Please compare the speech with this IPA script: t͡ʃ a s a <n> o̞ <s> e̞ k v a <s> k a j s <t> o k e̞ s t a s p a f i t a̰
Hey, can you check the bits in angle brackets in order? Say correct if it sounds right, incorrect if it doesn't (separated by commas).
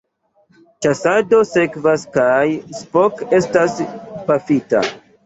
incorrect, correct, correct, incorrect